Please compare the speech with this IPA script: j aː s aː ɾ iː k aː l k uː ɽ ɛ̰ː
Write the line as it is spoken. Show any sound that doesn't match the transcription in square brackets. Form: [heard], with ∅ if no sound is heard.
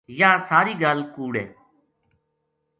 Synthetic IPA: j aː s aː ɾ iː [ɡ] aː l k uː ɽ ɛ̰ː